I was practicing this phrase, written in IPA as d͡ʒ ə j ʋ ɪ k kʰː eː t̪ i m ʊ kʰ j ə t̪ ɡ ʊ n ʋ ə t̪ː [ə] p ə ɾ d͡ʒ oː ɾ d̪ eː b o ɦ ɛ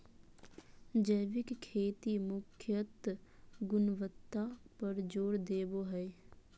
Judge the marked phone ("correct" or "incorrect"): incorrect